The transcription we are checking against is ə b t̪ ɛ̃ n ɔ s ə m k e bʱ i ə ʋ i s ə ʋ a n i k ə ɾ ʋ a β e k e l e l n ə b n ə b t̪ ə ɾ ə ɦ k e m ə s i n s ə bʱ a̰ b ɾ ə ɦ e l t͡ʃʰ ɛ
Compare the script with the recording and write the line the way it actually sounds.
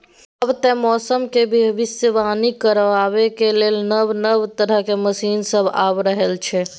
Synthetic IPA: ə b t̪ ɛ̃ m ɔ s ə m k e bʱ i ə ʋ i s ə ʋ a n i k ə ɾ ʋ a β e k e l e l n ə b n ə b t̪ ə ɾ ə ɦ k e m ə s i n s ə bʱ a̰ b ɾ ə ɦ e l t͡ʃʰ ɛ